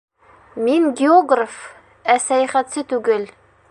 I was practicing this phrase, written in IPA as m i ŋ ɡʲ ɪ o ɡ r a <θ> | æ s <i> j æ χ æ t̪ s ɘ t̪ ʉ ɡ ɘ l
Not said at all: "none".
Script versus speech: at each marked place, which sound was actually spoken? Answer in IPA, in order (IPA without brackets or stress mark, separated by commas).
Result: f, æ